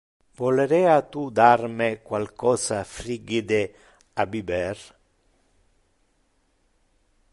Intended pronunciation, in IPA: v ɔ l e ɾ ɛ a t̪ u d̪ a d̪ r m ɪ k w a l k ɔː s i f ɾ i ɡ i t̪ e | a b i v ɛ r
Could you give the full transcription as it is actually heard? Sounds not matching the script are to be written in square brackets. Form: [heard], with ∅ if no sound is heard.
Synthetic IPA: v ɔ l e ɾ ɛ a t̪ u d̪ a [∅] r m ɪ k w a l k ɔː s [a] f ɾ i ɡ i [d̪] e | a b i [b] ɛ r

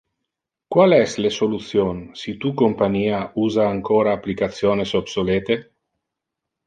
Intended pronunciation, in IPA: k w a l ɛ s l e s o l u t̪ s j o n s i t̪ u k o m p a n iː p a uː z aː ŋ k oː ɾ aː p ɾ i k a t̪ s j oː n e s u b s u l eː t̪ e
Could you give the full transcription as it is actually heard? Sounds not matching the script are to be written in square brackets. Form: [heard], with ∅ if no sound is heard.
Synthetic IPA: k w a l ɛ s l e s o l u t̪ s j o n s i t̪ u k o m p a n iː [∅] a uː z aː ŋ k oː ɾ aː p [l] i k a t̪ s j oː n e s [o] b s [o] l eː t̪ e

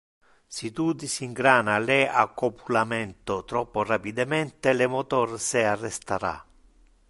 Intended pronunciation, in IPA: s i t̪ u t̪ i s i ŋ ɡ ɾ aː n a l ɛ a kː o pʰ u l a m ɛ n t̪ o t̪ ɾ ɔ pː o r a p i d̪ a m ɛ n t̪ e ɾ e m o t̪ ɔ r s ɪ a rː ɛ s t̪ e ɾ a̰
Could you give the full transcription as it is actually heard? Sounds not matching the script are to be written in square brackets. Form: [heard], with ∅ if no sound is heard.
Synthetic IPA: s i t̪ u [d̪] i s i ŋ ɡ ɾ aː n a l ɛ a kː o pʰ u l a m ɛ n t̪ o t̪ ɾ ɔ pː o r a p i d̪ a m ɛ n t̪ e [l] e m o t̪ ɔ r s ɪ a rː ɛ s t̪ [a] ɾ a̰

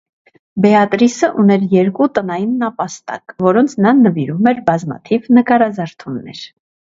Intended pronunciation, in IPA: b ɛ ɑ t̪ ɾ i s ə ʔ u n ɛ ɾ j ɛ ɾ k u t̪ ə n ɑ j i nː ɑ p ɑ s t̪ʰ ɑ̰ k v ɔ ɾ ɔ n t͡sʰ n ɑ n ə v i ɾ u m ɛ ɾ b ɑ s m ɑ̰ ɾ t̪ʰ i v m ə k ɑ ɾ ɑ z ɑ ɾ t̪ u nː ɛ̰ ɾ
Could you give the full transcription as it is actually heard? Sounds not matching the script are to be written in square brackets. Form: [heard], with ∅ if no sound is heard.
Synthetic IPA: b ɛ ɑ t̪ ɾ i s ə ʔ u n ɛ ɾ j ɛ ɾ k u t̪ ə n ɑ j i nː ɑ p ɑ s [t̪] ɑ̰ k v ɔ ɾ ɔ n t͡sʰ n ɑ n ə v i ɾ u m ɛ ɾ b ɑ [z] m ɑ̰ [∅] t̪ʰ i v [n] ə k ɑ ɾ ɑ z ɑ ɾ [t̪ʰ] u nː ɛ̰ ɾ

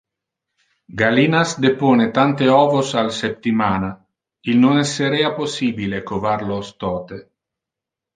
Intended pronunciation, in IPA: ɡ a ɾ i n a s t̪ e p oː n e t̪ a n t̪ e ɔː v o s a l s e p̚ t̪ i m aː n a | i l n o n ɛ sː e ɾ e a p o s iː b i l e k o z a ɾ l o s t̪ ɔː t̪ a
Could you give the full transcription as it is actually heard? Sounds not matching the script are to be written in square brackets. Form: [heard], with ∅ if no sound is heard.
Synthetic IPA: ɡ a [l] i n a s [d̪] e p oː n e t̪ a n t̪ e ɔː v o s a l s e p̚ t̪ i m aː n a | i l n o n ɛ sː e ɾ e a p o s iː b i l e k o [v] a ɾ l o s t̪ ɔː t̪ [e]

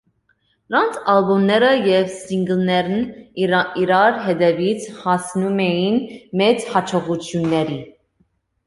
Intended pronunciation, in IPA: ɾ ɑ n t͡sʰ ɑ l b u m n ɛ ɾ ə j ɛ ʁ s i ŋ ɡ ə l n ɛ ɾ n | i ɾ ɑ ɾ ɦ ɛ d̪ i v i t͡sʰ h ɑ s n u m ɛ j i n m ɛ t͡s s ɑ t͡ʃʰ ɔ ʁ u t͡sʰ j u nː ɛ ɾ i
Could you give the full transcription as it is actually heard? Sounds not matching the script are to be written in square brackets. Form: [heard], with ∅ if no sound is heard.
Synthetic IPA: ɾ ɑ n t͡sʰ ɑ l b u m n ɛ ɾ ə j ɛ [v] s i ŋ ɡ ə l n ɛ ɾ n | i ɾ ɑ ɾ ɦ ɛ d̪ [ɛ] v i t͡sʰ h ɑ s n u m ɛ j i n m ɛ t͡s [h] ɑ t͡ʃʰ ɔ ʁ u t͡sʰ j u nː ɛ ɾ i

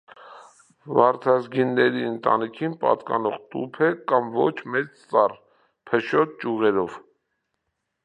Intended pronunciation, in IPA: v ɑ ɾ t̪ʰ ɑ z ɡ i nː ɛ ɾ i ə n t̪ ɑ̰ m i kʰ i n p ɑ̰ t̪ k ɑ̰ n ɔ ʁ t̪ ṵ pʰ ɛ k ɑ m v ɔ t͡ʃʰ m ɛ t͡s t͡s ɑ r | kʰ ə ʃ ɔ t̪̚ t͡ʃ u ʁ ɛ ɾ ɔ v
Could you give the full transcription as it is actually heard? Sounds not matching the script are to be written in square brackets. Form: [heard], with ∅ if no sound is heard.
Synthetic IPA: v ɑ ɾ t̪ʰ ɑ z ɡ i nː ɛ ɾ i ə n t̪ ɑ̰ [n] i kʰ i n p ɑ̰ t̪ k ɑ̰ n ɔ ʁ t̪ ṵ pʰ ɛ k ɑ m v ɔ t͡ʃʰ m ɛ t͡s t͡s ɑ r | [pʰ] ə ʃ ɔ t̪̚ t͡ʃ u ʁ ɛ ɾ ɔ v

